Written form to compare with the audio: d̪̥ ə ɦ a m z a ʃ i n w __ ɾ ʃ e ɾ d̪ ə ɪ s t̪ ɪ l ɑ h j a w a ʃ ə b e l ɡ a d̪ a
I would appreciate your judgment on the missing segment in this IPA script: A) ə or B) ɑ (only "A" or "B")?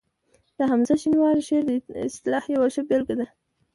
B